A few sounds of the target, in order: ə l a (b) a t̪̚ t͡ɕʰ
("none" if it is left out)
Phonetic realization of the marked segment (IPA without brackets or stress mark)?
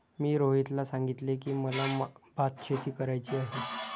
b